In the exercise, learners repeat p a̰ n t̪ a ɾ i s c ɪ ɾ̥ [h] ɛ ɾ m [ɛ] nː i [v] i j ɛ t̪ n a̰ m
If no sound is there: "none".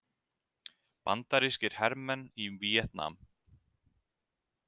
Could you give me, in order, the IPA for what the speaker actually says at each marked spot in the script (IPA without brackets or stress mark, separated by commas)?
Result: h, ɛ, v